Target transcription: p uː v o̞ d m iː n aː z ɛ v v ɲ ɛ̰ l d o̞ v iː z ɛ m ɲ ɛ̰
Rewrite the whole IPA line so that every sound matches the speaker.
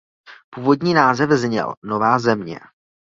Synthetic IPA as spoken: p uː v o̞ d ɲ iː n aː z ɛ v z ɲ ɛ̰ l n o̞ v aː z ɛ m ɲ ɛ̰